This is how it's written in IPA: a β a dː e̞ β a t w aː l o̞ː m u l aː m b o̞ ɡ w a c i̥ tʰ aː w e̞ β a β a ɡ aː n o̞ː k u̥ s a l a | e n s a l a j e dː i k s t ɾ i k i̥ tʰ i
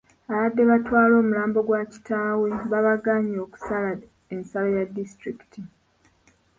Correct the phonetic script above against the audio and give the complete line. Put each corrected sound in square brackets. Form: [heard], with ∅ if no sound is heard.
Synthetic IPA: a β a dː e̞ β a t w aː l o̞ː m u l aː m b o̞ ɡ w a c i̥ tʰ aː w e̞ β a β a ɡ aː [ɲ] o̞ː k u̥ s a l a | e n s a l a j [a] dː i [∅] s t ɾ i k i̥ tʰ i